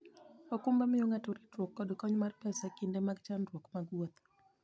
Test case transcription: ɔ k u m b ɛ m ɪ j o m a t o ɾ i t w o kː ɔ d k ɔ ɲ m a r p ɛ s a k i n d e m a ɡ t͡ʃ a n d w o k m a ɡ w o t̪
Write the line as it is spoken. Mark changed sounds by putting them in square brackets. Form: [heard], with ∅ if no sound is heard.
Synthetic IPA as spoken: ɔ k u m b [a] m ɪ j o [ŋ] a t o ɾ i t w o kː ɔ d k ɔ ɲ m a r p ɛ s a k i n d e m a ɡ t͡ʃ a n d w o k m a ɡ w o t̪